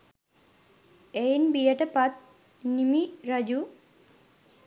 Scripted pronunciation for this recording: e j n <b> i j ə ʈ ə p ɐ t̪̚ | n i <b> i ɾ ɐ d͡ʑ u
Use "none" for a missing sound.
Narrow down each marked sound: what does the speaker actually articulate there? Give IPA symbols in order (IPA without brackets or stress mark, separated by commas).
b, m